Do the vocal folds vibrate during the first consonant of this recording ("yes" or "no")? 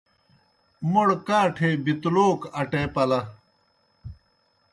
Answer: yes